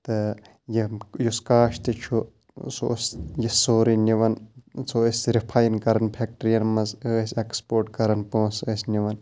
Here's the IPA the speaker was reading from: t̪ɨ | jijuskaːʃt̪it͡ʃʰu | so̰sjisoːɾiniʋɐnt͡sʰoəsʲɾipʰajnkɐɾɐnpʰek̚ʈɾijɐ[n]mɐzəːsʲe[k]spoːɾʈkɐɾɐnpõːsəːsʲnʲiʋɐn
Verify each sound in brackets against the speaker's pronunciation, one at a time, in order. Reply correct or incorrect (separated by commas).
correct, correct